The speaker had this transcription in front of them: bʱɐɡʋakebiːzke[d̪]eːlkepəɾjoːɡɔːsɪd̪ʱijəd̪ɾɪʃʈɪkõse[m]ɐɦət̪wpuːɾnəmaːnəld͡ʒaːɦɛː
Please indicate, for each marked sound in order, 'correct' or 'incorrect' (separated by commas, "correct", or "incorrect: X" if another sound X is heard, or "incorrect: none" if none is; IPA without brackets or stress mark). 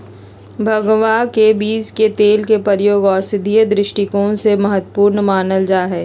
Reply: incorrect: t̪, correct